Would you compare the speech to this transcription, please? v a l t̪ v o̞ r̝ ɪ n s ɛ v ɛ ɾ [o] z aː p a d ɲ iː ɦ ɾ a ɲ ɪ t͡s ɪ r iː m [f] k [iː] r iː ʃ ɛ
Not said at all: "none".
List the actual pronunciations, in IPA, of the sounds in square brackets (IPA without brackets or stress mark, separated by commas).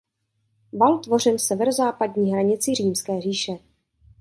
o, s, ɛː